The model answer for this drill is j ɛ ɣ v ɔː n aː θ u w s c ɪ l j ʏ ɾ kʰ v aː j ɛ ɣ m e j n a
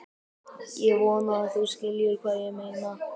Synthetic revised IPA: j ɛ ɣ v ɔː n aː θ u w s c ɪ l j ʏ ɾ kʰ v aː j ɛ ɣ m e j n a